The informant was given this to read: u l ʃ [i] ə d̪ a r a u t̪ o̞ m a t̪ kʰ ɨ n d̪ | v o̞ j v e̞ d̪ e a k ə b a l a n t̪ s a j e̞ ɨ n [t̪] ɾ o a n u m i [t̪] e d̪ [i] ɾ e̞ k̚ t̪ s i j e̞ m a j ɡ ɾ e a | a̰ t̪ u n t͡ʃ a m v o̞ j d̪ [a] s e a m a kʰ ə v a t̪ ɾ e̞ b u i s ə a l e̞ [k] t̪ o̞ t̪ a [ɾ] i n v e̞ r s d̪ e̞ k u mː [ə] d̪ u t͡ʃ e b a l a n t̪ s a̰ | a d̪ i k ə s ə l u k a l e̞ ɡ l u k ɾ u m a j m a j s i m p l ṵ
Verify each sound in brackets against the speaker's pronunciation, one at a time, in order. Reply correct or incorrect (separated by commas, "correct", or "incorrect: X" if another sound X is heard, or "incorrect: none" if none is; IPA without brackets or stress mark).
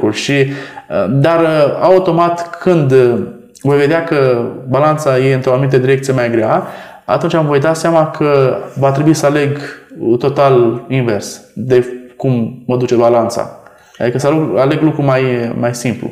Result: correct, correct, correct, correct, correct, incorrect: ɡ, incorrect: l, correct